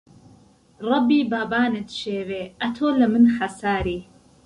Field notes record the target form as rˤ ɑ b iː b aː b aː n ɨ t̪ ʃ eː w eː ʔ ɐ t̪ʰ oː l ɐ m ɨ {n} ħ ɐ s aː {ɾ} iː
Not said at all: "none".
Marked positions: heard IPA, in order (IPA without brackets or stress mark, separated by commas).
n, ɾ